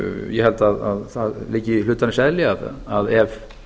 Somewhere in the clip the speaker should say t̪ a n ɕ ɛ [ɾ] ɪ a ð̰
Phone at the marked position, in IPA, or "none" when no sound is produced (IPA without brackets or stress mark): l